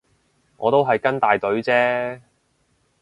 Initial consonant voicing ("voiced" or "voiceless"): voiced